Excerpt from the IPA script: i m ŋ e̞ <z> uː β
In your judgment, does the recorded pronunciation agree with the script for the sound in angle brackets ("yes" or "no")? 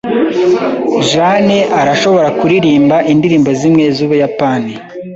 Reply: yes